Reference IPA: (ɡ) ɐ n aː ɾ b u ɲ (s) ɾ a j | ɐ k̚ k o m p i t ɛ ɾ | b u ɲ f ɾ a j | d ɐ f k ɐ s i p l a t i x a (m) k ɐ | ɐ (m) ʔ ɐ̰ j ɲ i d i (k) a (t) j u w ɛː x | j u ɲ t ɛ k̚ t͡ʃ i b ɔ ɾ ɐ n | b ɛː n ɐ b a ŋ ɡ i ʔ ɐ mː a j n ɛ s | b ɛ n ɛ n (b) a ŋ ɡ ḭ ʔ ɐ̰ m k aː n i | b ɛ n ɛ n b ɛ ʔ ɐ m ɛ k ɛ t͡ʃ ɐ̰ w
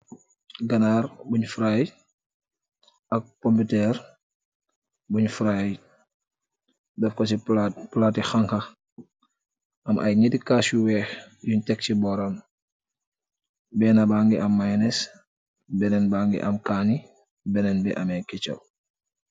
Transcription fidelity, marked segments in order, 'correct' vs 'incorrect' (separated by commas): correct, incorrect, incorrect, correct, correct, incorrect, correct